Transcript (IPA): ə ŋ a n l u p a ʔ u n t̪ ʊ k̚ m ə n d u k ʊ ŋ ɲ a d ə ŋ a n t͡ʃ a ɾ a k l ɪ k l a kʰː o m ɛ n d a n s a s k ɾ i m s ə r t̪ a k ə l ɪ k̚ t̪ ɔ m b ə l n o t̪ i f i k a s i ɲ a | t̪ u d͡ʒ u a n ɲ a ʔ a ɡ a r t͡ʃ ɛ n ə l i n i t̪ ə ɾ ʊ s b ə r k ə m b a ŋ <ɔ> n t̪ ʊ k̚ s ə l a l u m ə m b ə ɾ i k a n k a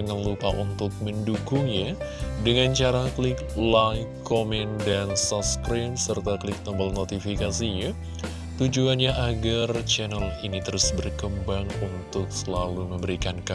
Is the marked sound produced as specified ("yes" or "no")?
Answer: no